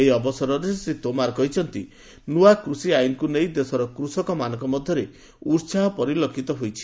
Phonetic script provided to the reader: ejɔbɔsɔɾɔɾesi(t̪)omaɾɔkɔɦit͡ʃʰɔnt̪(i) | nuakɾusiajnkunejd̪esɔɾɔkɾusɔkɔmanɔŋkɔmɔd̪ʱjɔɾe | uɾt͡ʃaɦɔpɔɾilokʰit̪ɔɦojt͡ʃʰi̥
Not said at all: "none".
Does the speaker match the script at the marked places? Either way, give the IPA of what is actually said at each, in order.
t̪, i

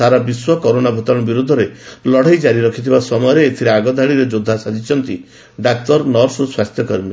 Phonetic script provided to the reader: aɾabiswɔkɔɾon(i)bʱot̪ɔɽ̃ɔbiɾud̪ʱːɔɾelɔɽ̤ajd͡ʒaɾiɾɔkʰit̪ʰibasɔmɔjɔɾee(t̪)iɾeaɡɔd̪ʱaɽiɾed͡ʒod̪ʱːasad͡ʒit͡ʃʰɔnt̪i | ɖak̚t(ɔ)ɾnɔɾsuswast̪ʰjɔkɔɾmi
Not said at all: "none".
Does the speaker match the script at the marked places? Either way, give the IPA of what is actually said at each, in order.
a, t̪ʰ, ɔ

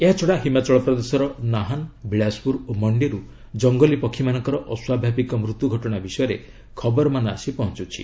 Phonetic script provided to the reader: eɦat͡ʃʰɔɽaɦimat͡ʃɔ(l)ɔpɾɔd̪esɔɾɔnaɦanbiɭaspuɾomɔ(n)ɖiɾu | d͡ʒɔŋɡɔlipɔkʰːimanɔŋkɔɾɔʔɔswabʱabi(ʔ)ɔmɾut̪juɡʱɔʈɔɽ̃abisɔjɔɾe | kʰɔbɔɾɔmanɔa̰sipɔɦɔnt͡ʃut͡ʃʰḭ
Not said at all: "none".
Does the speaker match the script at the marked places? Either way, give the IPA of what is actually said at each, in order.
ɭ, ɳ, k

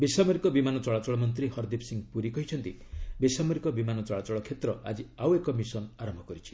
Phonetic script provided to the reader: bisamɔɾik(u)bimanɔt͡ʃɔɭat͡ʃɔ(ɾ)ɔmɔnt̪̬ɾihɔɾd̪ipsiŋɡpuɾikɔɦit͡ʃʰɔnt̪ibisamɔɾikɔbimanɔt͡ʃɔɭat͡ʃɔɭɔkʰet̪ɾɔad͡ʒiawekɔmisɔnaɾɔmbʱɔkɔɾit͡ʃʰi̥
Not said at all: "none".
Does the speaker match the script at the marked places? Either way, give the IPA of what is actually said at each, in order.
ɔ, ɭ

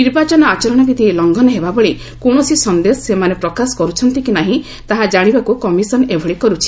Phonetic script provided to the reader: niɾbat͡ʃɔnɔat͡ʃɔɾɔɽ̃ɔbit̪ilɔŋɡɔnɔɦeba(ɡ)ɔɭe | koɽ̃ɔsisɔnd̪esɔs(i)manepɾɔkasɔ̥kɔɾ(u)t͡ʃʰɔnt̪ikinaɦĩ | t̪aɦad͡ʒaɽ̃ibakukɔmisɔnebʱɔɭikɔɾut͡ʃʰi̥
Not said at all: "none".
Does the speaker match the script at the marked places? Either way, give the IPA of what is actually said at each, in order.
b, e, u

